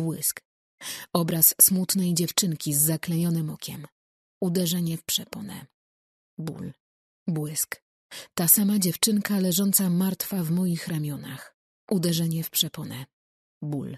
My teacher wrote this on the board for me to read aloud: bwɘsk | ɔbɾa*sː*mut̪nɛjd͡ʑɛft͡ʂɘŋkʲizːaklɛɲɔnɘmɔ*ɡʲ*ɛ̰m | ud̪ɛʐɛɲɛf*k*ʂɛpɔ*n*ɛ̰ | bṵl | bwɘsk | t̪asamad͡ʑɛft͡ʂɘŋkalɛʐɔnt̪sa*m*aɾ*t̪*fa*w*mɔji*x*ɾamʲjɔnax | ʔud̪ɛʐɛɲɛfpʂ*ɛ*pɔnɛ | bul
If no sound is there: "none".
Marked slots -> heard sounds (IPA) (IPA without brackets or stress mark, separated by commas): sː, kʲ, p, n, m, t̪, v, x, ɛ